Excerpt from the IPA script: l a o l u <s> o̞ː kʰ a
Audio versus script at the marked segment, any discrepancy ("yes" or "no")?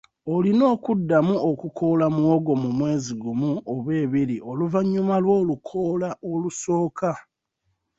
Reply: no